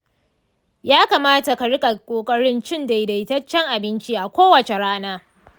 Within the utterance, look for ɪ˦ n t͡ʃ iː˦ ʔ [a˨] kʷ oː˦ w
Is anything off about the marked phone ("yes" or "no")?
no